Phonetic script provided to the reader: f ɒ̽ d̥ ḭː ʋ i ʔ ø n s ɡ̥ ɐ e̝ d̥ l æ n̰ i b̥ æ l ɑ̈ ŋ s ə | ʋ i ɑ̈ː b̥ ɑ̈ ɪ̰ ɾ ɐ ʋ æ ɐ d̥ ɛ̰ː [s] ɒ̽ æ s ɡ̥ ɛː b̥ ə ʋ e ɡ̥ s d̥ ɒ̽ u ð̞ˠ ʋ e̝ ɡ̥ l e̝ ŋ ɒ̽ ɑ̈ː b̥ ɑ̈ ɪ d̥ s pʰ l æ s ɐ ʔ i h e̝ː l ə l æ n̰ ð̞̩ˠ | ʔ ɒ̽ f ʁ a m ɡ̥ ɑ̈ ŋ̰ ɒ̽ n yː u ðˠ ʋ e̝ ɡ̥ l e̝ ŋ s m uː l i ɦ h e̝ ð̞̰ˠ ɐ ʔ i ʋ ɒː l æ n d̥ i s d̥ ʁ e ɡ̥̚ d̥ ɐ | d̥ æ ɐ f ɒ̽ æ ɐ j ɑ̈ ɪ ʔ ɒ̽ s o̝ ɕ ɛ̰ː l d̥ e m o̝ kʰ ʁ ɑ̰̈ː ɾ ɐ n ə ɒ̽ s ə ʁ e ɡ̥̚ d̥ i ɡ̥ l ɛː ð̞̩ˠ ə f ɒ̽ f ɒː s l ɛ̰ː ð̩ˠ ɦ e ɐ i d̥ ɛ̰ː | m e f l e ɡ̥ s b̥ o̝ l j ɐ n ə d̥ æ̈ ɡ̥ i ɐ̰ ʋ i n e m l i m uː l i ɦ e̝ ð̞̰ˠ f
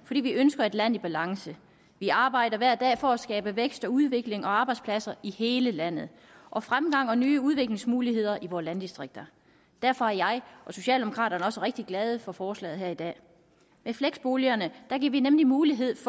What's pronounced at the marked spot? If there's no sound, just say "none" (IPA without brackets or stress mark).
f